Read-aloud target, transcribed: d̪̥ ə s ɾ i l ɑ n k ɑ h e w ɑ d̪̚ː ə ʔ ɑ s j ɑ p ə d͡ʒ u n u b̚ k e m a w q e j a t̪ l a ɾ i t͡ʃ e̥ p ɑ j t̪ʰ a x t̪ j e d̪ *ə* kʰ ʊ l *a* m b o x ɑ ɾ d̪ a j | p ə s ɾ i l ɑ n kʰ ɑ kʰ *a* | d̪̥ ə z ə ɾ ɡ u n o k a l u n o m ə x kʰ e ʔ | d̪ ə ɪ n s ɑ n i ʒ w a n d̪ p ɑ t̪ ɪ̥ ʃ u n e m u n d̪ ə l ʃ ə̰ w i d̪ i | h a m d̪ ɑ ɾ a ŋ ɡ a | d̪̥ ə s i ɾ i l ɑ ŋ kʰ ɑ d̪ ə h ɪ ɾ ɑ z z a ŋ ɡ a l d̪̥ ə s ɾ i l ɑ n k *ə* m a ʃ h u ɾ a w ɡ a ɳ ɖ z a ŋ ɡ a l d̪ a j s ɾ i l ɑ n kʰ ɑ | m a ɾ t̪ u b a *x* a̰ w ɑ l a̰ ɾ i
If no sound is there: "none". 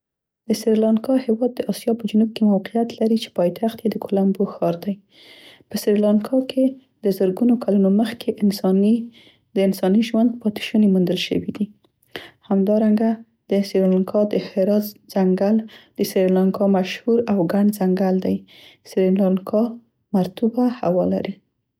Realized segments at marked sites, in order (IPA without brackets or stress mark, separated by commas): ə, a, e, ɑ, h